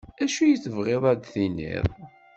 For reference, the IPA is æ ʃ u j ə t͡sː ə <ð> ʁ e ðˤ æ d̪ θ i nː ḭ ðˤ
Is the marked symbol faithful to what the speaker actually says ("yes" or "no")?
no